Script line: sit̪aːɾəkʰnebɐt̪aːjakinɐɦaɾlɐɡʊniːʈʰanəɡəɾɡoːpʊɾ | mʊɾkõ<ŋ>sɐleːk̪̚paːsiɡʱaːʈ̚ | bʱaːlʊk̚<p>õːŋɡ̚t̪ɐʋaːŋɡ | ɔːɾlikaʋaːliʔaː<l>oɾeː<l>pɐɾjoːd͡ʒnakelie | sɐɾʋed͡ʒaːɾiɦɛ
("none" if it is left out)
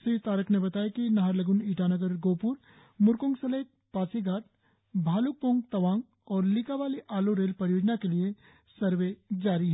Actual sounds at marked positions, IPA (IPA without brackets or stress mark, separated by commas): ŋ, p, l, l